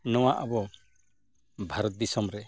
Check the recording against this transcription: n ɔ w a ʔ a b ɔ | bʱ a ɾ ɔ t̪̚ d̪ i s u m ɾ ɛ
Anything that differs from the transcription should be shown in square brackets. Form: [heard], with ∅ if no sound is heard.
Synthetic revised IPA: n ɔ w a ʔ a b ɔ | bʱ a ɾ ɔ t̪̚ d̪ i s [ɔ] m ɾ ɛ